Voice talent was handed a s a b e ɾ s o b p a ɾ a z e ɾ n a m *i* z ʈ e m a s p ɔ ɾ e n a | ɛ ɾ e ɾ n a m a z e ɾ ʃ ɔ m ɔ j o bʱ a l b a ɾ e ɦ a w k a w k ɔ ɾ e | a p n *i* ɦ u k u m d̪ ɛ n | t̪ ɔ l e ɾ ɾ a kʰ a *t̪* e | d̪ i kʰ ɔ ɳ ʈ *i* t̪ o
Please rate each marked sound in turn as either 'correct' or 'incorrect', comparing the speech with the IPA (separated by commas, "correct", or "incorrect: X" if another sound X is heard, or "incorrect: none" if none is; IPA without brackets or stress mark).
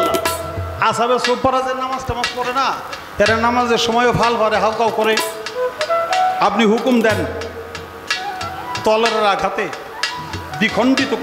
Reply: incorrect: a, correct, correct, correct